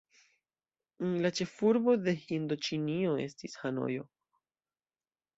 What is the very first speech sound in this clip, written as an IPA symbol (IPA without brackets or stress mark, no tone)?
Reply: l